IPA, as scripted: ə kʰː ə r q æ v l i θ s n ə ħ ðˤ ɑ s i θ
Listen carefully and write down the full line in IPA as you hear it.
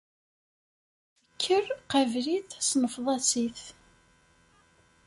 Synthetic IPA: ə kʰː ə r q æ v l i θ s n ə f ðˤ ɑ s i θ